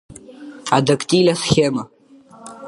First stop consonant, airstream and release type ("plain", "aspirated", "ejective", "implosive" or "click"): plain